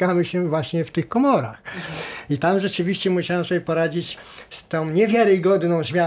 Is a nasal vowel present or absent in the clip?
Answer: present